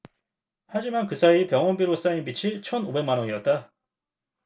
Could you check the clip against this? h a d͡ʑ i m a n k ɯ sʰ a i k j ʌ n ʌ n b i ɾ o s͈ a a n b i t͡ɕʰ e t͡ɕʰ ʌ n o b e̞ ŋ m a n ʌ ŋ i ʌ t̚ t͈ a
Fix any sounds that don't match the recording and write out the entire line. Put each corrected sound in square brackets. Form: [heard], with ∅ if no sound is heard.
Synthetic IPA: h a d͡ʑ i m a n k ɯ sʰ a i [p] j ʌ [ŋ] ʌ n b i ɾ o s͈ a [i] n b i t͡ɕʰ [i] t͡ɕʰ ʌ n o b e̞ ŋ m a n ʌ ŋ i ʌ t̚ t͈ a